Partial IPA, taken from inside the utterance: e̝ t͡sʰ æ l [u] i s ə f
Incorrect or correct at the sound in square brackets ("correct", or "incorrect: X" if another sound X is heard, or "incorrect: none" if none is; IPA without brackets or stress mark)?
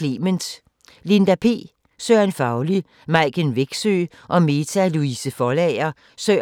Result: correct